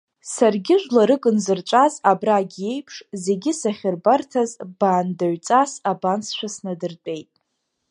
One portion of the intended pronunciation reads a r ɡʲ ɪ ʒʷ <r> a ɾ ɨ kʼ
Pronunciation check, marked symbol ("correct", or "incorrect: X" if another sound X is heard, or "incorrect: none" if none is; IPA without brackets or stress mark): incorrect: l